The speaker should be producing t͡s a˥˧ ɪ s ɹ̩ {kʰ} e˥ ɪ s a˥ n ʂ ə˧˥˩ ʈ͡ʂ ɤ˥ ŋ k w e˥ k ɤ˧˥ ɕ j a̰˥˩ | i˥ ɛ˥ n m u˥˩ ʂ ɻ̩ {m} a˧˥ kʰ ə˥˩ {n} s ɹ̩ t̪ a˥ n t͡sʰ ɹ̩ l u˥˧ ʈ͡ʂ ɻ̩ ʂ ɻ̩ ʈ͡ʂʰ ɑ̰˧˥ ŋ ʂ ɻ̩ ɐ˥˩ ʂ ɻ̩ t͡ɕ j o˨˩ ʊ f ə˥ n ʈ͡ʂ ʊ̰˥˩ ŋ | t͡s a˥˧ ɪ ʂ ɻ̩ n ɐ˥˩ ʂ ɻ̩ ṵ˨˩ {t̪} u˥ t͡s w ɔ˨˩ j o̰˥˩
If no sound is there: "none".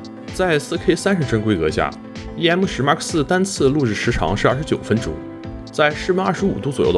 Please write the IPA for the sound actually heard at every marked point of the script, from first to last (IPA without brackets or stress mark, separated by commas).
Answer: kʰ, m, none, t̪